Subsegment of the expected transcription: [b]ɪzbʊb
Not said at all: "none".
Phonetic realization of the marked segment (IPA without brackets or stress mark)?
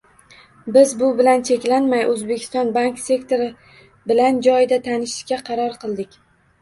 b